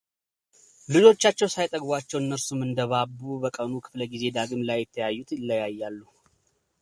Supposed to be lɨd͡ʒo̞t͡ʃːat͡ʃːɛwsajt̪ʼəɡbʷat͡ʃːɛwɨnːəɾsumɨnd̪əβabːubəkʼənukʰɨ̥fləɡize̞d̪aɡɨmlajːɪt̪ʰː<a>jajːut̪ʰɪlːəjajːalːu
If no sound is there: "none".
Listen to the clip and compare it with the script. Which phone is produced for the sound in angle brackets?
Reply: ə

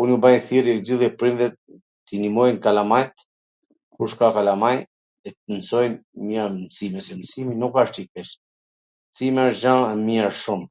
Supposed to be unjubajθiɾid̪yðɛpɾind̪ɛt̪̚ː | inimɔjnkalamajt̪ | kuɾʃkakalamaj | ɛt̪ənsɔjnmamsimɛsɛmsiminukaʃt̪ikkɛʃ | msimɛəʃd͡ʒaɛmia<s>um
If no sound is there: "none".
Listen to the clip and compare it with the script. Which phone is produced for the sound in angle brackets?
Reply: ʃ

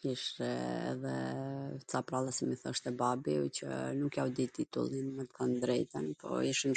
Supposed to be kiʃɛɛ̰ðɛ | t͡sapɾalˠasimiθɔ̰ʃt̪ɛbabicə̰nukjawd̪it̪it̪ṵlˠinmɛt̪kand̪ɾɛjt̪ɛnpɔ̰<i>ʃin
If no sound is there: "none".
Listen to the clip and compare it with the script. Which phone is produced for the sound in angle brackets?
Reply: i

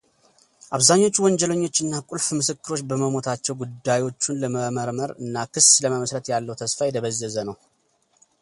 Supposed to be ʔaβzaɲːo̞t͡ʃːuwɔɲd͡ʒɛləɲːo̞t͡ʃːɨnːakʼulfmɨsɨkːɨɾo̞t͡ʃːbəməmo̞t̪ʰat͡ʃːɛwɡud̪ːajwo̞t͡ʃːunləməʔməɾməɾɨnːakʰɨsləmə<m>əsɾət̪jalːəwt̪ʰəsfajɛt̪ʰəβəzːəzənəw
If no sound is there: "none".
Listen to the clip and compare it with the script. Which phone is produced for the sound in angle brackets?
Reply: m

